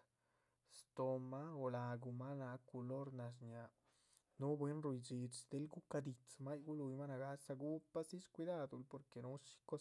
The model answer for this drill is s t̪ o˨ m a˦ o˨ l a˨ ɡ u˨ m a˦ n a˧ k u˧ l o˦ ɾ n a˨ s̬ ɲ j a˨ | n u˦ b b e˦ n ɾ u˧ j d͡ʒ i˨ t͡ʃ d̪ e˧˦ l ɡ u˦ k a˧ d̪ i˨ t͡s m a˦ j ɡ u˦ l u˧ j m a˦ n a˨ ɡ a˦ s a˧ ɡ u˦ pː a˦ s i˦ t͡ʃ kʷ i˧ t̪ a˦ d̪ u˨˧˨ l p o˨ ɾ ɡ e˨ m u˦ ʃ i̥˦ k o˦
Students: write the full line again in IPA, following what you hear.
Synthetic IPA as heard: s t̪ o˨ m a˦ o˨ l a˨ ɡ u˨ m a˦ n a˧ k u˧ l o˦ ɾ n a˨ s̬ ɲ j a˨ | n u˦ b w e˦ n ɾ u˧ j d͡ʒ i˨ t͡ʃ d̪ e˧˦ l ɡ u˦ k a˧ d̪ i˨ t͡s m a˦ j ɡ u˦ l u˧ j m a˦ n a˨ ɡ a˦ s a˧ ɡ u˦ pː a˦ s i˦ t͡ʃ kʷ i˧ d̪ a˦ d̪ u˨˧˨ l p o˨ ɾ k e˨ n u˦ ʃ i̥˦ k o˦